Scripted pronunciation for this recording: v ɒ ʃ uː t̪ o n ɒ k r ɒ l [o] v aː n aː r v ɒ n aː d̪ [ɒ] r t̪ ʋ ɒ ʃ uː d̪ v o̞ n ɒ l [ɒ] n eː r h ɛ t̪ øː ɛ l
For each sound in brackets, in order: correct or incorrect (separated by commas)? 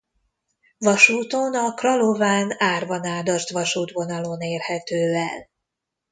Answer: correct, correct, incorrect